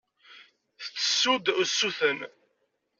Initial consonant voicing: voiceless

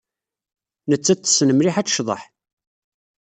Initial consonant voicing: voiced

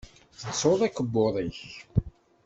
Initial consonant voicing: voiceless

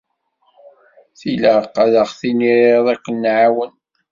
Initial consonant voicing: voiceless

